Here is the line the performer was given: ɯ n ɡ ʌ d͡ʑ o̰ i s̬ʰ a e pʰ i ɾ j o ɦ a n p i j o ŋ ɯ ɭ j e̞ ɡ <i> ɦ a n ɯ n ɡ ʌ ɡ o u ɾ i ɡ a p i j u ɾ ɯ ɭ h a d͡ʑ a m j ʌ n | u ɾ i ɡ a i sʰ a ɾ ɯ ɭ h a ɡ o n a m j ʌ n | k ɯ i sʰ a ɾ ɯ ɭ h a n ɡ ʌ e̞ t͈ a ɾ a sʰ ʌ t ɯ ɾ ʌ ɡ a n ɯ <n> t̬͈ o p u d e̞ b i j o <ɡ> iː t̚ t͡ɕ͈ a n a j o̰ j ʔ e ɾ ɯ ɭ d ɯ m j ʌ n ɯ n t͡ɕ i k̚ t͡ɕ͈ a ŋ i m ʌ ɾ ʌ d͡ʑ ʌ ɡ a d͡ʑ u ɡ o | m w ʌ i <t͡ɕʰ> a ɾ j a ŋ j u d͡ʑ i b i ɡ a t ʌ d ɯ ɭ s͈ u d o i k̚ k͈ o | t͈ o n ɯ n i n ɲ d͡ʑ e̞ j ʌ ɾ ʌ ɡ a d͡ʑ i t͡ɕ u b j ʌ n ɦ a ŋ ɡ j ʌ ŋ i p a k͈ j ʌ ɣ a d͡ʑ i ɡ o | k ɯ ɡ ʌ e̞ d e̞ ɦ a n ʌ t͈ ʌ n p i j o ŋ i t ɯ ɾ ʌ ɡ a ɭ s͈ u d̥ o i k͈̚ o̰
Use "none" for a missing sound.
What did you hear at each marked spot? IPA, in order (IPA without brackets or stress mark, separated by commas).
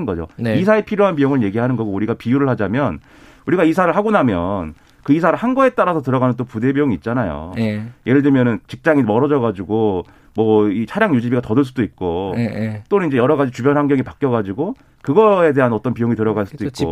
i, n, ŋ, t͡ɕʰ